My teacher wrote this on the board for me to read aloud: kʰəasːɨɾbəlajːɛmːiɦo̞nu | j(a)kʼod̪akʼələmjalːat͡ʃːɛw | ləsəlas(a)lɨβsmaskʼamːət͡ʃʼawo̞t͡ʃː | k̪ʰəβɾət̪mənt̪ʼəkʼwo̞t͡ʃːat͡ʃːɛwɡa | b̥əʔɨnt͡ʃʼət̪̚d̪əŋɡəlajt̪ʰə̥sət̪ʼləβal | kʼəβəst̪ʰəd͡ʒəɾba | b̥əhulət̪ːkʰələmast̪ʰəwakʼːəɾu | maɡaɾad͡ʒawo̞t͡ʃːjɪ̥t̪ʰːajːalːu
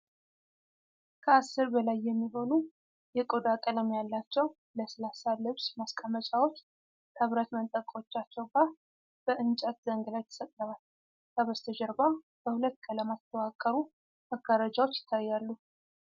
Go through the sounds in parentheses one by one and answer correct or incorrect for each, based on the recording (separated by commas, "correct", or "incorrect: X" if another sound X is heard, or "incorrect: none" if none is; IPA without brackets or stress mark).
incorrect: ɛ, correct